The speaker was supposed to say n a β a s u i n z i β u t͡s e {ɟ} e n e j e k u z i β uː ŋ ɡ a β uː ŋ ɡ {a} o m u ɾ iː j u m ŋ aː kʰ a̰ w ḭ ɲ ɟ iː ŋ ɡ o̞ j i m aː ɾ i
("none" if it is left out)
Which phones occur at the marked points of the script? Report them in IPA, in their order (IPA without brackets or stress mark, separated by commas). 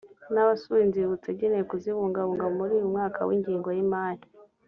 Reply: ɟ, a